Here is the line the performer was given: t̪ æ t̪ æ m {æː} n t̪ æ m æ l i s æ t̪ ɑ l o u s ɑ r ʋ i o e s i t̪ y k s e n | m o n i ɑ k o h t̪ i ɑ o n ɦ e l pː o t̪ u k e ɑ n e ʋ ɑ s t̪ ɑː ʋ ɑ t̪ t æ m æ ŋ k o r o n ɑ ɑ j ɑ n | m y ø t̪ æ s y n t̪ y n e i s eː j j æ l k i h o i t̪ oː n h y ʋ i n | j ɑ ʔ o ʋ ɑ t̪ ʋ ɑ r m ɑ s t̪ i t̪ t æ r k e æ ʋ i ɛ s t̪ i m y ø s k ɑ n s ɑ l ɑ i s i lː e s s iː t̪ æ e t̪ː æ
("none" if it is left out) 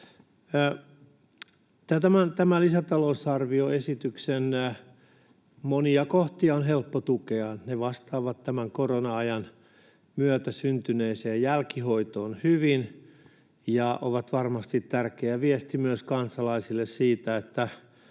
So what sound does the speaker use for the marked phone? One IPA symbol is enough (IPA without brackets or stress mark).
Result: æ